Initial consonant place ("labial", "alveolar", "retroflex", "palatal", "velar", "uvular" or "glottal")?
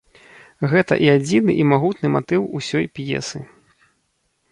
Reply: velar